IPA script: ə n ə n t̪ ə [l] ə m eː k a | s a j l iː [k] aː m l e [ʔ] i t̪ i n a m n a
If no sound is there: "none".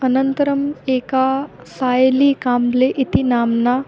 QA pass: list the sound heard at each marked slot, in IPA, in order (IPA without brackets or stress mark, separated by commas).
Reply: ɾ, k, ʔ